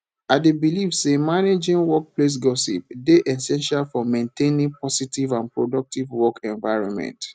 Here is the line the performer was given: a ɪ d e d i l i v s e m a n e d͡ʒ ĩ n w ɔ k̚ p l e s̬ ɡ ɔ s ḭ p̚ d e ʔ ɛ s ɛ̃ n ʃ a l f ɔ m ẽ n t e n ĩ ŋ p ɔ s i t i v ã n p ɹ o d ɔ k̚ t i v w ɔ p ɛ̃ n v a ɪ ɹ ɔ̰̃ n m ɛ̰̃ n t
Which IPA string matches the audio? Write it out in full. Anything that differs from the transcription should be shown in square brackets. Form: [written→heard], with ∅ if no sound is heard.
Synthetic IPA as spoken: a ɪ d e [d→b] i l i v s e m a n e d͡ʒ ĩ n w ɔ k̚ p l e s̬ ɡ ɔ s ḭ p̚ d e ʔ ɛ s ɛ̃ n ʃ a l f ɔ m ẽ n t e n ĩ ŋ p ɔ s i t i v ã n p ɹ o d ɔ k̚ t i v w ɔ [p→k] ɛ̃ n v a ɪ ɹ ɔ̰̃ n m ɛ̰̃ n t